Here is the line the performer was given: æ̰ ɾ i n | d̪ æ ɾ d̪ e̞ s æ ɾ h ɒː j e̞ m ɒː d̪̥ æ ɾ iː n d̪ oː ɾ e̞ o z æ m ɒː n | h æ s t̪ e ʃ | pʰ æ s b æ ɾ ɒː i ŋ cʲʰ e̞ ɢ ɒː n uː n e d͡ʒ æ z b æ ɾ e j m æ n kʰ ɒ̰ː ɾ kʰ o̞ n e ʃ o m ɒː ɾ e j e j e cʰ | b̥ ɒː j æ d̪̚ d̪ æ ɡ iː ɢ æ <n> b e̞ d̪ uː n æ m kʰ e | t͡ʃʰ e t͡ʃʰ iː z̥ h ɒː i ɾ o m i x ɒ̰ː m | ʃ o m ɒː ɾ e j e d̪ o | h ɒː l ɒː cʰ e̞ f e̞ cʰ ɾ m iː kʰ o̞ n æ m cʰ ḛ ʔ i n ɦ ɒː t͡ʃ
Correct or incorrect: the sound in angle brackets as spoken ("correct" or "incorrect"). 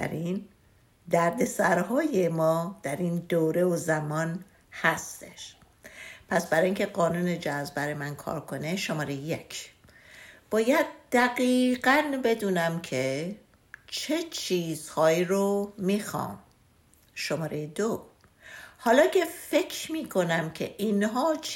correct